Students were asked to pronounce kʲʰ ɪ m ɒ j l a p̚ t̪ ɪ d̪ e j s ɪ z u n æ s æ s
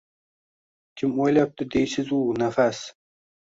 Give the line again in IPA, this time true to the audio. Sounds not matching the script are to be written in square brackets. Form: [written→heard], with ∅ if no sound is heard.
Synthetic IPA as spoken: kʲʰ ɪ m [ɒ→o] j l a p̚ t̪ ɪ d̪ e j s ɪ z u n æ [s→f] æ s